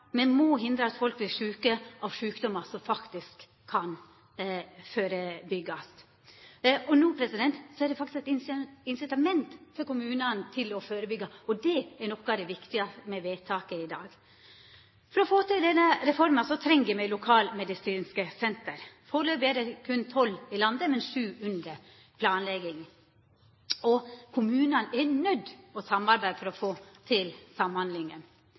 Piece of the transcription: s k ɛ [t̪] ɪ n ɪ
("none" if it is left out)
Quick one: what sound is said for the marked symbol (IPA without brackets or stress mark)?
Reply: t̪